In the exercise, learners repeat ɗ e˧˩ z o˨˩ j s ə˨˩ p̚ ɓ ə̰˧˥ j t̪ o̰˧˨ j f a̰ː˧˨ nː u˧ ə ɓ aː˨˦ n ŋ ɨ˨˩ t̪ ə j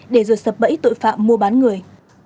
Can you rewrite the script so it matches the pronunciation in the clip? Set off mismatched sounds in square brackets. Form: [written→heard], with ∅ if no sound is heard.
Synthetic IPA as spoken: ɗ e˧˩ z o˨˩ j s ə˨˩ p̚ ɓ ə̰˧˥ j t̪ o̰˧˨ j f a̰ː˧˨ [nː→mː] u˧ ə ɓ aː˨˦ n ŋ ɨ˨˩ [t̪→∅] ə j